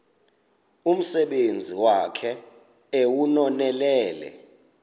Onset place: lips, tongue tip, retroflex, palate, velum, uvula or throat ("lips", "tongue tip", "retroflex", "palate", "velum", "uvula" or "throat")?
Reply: lips